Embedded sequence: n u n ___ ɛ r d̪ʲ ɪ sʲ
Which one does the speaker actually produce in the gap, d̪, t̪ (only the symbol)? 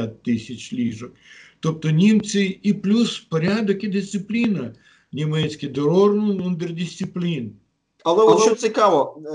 d̪